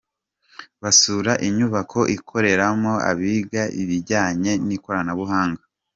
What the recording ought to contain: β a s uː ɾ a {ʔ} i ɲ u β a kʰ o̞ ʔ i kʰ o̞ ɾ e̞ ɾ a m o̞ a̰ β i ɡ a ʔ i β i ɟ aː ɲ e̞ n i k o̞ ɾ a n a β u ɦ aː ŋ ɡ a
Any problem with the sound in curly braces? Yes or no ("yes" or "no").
no